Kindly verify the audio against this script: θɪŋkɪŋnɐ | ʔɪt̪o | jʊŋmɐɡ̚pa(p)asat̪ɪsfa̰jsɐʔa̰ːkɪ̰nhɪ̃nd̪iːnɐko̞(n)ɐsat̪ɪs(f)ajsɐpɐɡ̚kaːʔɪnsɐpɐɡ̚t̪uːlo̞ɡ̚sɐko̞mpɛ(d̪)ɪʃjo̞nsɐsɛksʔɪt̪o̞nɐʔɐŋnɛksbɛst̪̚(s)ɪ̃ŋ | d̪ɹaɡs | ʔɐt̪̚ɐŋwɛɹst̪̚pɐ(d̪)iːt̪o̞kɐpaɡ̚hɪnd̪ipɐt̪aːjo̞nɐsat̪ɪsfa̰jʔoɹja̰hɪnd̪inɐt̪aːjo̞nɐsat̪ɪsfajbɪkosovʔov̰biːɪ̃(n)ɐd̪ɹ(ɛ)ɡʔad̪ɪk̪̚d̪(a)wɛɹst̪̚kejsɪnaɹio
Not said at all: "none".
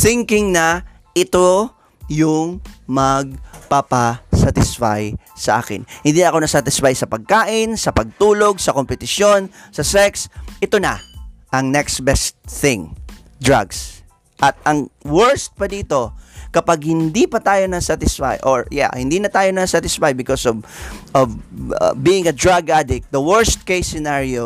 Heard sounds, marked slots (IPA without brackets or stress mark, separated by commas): p, n, f, t̪, θ, d̪, ŋ, a, ɐ